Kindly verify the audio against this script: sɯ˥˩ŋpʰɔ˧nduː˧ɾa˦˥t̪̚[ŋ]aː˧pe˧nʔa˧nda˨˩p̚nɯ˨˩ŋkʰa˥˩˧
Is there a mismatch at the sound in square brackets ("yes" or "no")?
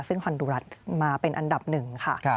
yes